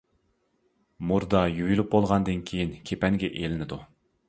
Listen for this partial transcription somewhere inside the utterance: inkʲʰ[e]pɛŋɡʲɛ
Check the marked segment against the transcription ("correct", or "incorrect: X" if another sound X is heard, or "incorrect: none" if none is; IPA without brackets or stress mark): correct